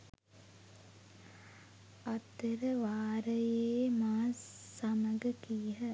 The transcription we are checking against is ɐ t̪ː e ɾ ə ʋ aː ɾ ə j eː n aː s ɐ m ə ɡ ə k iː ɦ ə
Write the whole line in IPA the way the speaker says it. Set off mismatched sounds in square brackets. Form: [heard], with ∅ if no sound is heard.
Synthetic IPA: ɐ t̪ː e ɾ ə ʋ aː ɾ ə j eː [m] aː s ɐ m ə ɡ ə k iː ɦ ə